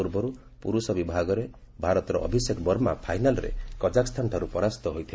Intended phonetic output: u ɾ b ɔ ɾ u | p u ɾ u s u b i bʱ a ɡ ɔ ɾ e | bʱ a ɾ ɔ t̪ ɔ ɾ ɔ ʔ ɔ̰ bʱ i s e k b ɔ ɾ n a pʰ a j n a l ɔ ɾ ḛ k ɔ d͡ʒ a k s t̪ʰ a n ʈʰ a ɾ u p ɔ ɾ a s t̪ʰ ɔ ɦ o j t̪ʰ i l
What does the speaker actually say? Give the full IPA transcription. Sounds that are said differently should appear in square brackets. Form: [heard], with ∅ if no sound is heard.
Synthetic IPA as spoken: u ɾ b ɔ ɾ u | p u ɾ u s [ɔ] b i bʱ a ɡ ɔ ɾ e | bʱ a ɾ ɔ t̪ ɔ ɾ ɔ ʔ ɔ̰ bʱ i s e k b ɔ ɾ [m] a pʰ a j n a l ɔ ɾ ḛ k ɔ d͡ʒ a k s t̪ʰ a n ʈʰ a ɾ u p ɔ ɾ a s [t̪] ɔ ɦ o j t̪ʰ i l